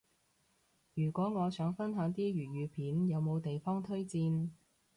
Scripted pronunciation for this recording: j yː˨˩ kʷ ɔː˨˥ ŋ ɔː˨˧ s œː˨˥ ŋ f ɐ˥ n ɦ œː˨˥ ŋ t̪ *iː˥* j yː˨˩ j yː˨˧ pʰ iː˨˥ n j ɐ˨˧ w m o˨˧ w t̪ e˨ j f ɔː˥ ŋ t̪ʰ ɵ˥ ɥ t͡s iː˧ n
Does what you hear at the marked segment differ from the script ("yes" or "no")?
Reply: no